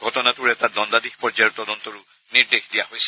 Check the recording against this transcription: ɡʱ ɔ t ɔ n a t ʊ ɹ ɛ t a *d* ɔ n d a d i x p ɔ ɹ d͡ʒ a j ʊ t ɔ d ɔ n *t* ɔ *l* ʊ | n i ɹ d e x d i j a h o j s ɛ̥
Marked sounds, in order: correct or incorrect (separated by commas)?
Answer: correct, correct, incorrect